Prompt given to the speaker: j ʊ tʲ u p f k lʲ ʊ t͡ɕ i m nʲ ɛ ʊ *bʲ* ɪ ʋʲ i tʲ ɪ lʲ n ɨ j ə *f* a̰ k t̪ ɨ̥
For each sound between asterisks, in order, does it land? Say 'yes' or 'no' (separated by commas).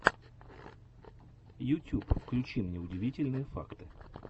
no, yes